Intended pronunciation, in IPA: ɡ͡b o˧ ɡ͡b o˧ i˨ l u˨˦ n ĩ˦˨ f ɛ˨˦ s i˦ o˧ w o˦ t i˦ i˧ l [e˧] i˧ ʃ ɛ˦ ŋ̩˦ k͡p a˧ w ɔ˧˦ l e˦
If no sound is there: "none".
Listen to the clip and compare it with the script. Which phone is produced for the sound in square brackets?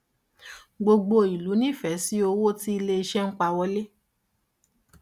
e˧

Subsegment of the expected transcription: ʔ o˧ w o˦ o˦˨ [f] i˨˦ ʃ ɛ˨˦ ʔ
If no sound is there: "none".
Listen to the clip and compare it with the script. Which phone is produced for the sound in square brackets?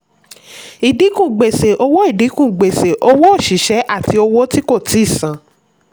ʃ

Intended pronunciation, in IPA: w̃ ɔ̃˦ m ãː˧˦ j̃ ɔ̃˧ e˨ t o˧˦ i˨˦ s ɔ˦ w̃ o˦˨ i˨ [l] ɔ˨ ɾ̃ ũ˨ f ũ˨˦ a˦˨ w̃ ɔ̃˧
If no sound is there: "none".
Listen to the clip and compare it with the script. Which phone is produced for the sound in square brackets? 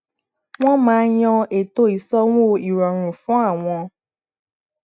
ɾ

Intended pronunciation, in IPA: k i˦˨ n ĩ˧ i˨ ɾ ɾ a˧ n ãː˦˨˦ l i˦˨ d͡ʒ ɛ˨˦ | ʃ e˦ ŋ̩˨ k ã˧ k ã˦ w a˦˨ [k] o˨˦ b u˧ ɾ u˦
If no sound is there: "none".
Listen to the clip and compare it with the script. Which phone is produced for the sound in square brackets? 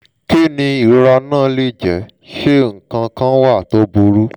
t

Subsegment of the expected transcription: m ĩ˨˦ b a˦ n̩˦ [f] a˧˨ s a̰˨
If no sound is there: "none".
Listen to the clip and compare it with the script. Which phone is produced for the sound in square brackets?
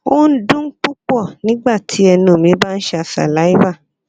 ʃ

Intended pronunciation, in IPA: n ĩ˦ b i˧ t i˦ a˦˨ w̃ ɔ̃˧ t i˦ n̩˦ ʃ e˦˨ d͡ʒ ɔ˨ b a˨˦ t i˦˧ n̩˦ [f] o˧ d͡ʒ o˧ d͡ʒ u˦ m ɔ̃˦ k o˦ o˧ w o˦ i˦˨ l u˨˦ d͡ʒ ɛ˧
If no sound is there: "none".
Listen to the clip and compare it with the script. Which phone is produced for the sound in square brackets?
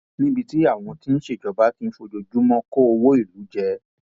f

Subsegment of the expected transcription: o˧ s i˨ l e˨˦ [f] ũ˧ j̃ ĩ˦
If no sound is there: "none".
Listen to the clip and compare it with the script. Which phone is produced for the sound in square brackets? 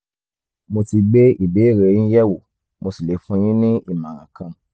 f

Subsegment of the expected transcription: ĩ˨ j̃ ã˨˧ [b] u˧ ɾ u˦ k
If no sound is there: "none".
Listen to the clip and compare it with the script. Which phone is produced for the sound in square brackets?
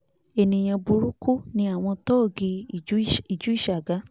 b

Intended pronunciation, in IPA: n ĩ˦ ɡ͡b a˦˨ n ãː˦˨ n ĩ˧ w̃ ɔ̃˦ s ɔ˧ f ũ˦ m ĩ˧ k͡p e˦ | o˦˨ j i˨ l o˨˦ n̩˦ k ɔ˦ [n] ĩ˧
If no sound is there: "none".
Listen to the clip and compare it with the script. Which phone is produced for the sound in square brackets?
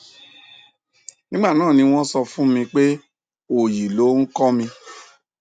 m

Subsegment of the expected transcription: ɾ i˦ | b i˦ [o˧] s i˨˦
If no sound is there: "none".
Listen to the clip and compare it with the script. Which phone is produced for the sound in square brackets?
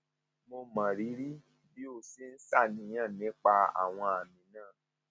o˧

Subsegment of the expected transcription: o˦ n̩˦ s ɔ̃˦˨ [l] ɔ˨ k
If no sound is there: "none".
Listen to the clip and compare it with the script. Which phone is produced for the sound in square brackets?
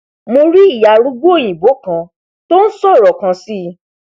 ɾ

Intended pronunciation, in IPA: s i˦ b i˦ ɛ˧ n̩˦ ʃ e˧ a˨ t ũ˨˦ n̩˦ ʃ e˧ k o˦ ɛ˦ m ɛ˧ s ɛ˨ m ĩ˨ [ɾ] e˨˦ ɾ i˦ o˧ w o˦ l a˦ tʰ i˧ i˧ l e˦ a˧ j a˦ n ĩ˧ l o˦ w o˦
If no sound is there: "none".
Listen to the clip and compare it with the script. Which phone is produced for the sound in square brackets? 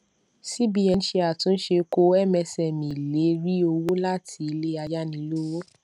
l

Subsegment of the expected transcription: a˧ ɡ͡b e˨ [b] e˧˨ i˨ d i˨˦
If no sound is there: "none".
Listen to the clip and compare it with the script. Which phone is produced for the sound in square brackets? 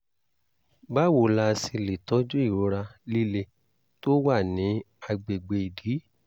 ɡ͡b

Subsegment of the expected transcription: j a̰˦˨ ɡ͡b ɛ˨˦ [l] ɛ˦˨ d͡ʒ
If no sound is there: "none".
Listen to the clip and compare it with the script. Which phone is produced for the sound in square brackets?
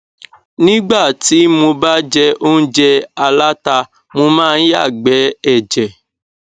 none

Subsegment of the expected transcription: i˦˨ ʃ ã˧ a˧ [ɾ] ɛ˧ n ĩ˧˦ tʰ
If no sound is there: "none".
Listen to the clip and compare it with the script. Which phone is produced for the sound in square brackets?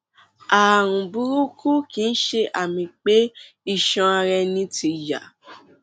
ɾ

